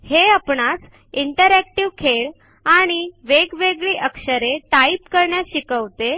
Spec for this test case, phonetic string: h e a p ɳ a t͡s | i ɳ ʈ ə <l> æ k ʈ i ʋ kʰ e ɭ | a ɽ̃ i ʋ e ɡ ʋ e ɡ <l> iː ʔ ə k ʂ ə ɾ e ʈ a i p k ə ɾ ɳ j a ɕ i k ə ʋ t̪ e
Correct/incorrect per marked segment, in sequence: incorrect, incorrect

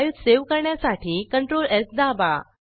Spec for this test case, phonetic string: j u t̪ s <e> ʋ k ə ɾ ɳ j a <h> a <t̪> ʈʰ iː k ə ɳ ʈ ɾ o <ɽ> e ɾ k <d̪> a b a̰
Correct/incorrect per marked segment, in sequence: correct, incorrect, incorrect, incorrect, correct

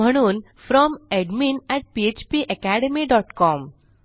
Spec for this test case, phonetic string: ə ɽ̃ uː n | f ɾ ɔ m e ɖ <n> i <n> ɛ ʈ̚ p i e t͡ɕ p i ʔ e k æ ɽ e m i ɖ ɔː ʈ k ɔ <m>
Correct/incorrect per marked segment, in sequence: incorrect, correct, correct

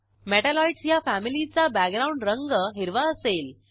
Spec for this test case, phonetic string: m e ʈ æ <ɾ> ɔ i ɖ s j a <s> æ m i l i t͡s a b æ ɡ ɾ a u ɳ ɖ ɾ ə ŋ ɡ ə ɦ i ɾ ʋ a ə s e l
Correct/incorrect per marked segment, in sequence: incorrect, incorrect

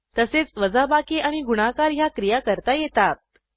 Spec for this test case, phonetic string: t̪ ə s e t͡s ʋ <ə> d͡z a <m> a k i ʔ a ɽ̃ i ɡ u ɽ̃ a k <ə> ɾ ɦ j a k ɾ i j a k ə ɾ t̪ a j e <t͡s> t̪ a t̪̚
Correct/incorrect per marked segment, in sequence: correct, incorrect, incorrect, incorrect

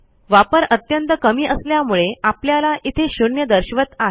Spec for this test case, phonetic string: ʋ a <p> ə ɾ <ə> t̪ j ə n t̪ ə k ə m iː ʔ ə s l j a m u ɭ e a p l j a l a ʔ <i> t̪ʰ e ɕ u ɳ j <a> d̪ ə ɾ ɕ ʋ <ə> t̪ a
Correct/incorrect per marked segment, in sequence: correct, correct, correct, incorrect, correct

